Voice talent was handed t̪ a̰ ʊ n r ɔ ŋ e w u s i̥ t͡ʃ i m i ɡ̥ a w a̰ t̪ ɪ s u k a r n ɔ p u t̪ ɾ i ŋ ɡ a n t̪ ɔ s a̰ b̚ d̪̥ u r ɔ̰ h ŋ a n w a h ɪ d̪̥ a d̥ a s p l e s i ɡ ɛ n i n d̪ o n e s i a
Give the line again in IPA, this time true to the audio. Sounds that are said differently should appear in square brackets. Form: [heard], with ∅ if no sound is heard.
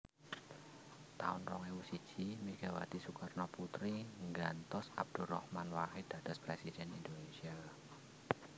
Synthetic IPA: t̪ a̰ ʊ n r ɔ ŋ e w u s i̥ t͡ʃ i m i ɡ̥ a w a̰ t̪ [i] s u k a r n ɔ p u t̪ ɾ i ŋ ɡ a n t̪ ɔ s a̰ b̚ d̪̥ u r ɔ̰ h [m] a n w a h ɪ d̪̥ a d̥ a s p [ɾ] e s i [d] ɛ n i n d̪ o n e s i a